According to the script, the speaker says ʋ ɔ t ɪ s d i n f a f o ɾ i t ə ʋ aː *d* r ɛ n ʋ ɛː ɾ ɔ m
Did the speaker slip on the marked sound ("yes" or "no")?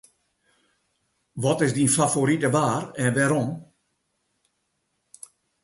yes